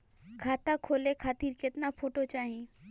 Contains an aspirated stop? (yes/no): yes